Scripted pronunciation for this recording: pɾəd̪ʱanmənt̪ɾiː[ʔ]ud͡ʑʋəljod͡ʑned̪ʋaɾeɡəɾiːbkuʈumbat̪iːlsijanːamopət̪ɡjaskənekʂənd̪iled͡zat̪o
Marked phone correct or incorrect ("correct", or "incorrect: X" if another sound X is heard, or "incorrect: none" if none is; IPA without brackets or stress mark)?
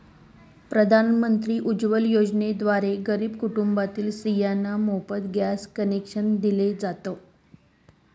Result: correct